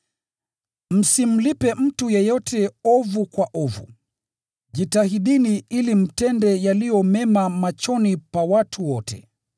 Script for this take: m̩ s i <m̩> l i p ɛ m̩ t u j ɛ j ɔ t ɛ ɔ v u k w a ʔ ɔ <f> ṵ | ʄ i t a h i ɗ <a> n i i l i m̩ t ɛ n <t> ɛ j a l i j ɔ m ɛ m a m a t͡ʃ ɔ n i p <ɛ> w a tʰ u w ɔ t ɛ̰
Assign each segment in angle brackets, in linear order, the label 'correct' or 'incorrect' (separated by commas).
correct, incorrect, incorrect, incorrect, incorrect